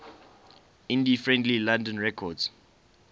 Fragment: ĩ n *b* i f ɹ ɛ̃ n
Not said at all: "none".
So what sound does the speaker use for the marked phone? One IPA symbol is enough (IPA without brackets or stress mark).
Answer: d